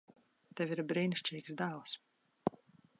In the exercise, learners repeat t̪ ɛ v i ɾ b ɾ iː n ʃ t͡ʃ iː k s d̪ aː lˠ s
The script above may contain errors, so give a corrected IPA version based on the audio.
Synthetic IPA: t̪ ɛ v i ɾ b ɾ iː n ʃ t͡ʃ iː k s d̪ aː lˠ s